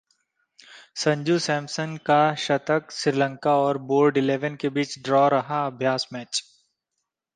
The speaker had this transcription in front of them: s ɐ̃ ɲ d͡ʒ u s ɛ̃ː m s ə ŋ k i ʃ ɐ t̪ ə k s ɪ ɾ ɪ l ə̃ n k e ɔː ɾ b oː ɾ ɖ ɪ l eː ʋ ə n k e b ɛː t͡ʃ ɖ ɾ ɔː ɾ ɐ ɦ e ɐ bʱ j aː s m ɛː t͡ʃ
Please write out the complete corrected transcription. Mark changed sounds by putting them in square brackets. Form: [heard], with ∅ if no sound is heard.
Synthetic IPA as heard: s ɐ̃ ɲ d͡ʒ u s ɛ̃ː m s ə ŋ k [a] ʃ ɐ t̪ ə k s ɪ ɾ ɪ l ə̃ [ŋ] k [a] ɔː ɾ b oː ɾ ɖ ɪ l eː ʋ ə n k e b [iː] t͡ʃ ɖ ɾ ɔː ɾ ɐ ɦ [a] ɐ bʱ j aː s m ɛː t͡ʃ